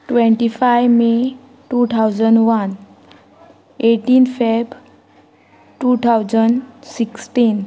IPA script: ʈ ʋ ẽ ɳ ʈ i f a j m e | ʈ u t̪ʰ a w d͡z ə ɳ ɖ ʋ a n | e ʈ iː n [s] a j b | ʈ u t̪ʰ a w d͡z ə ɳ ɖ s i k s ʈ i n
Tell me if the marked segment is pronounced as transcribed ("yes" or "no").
no